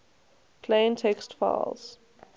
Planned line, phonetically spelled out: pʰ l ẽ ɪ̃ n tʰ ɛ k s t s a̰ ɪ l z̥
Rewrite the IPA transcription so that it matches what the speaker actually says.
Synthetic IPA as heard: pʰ l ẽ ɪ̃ n tʰ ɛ k s t f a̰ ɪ l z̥